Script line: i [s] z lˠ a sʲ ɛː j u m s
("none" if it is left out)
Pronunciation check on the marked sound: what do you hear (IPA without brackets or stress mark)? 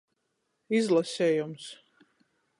none